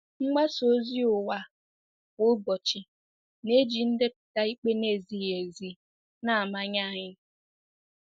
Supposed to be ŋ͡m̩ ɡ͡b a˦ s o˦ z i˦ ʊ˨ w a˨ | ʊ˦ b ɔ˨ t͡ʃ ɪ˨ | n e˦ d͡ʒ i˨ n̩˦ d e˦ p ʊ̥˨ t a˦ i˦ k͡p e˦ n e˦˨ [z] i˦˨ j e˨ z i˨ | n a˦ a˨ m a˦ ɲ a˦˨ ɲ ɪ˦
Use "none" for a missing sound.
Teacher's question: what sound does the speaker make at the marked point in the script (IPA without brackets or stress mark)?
z